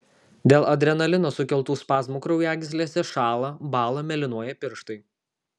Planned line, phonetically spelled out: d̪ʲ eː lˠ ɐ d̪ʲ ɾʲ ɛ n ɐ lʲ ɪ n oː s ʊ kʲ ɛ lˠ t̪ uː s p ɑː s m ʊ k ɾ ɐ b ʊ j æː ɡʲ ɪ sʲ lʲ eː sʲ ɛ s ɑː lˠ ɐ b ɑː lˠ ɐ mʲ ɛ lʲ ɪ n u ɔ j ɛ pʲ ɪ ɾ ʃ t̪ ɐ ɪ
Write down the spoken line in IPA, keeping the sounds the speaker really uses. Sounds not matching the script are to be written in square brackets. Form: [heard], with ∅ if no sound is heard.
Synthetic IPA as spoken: d̪ʲ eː lˠ ɐ d̪ʲ ɾʲ ɛ n ɐ lʲ ɪ n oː s ʊ kʲ ɛ lˠ t̪ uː s p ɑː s m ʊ k ɾ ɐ [∅] ʊ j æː ɡʲ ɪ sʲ lʲ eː sʲ ɛ [ʃ] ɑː lˠ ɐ b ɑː lˠ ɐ mʲ ɛ lʲ ɪ n u ɔ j ɛ pʲ ɪ ɾ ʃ t̪ ɐ ɪ